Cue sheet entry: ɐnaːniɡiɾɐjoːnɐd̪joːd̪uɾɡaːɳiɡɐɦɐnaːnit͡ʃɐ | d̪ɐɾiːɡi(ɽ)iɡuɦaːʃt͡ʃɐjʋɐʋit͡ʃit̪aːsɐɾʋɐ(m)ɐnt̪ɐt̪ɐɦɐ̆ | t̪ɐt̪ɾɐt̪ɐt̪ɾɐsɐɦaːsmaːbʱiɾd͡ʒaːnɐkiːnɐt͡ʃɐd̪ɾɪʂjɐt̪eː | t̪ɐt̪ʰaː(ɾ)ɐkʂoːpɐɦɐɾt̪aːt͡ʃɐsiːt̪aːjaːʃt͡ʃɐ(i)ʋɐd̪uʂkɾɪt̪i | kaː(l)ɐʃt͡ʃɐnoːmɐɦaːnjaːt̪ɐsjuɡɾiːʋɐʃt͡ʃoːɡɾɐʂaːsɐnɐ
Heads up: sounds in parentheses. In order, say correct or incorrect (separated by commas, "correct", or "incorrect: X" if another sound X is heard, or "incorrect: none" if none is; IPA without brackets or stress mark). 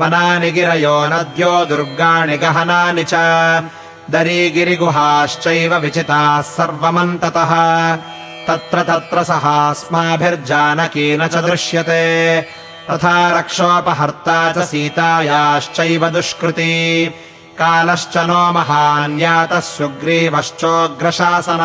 incorrect: ɾ, correct, correct, incorrect: j, correct